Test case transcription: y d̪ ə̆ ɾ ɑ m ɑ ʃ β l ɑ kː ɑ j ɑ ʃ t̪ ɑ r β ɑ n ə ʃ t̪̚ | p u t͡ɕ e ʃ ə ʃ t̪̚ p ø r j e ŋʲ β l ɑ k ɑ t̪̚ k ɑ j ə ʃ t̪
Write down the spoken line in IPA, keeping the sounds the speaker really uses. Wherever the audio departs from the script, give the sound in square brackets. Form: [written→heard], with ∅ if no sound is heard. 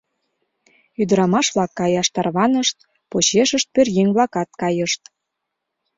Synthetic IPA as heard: y d̪ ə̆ ɾ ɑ m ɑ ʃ β l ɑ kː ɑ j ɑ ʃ t̪ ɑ r β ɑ n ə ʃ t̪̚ | p [u→o] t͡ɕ e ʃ ə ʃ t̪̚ p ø r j e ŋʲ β l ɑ k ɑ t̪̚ k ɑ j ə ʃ t̪